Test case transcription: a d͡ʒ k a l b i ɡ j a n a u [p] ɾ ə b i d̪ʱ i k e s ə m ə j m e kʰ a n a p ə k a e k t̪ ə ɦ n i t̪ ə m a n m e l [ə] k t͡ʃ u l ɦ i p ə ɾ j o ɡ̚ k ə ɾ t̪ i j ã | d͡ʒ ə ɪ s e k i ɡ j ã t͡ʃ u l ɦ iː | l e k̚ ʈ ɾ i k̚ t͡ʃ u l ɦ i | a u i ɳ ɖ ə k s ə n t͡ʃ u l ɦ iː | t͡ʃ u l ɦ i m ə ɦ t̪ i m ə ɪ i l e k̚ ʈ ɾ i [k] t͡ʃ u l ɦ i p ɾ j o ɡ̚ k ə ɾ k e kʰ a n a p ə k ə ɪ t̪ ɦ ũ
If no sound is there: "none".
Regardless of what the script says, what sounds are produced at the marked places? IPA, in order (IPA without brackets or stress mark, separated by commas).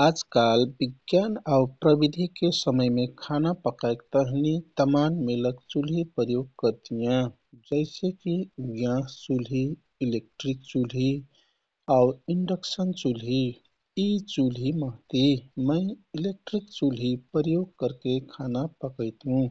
p, ə, k